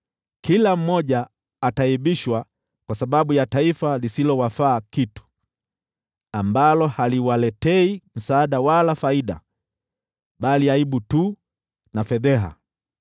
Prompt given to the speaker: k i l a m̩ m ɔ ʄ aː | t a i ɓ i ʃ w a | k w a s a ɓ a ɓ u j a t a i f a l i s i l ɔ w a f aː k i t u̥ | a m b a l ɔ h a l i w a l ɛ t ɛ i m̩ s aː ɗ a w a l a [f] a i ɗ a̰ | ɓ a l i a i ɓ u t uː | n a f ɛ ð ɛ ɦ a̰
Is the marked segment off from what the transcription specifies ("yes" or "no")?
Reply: no